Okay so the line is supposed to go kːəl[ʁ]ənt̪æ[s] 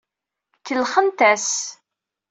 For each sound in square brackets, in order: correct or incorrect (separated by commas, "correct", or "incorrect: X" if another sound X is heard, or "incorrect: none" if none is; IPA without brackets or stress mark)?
incorrect: χ, correct